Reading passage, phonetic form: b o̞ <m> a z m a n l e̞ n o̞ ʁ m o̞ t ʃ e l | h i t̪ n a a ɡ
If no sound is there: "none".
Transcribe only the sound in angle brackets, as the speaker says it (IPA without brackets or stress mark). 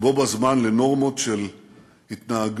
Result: b